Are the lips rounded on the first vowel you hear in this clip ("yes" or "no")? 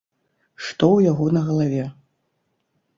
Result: yes